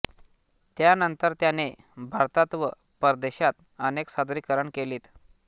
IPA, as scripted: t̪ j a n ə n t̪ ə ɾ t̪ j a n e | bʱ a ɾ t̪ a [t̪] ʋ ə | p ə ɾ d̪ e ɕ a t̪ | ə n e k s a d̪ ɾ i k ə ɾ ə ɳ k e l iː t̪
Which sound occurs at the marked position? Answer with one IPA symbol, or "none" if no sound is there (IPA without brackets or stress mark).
t̪